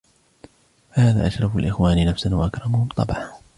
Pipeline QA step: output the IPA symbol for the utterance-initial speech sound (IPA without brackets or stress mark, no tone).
f